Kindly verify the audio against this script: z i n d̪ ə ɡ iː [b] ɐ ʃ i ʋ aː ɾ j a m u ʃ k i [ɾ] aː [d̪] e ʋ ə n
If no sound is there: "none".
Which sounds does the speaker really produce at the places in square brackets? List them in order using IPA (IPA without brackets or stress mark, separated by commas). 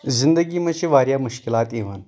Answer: m, l, t̪